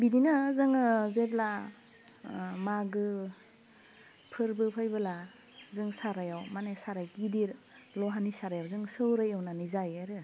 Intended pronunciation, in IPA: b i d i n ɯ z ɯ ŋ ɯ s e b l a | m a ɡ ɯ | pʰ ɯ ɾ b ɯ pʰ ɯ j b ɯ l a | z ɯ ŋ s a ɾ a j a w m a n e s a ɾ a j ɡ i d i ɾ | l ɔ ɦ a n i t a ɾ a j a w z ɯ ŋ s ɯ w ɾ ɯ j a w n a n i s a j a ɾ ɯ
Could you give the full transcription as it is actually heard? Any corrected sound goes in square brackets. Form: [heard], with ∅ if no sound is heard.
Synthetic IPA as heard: b i d i n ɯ z ɯ ŋ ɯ [z] e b l a | m a ɡ ɯ | pʰ ɯ ɾ b ɯ pʰ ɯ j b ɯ l a | z ɯ ŋ s a ɾ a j a w m a n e s a ɾ a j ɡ i d i ɾ | l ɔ ɦ a n i [s] a ɾ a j a w z ɯ ŋ s ɯ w ɾ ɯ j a w n a n i [z] a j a ɾ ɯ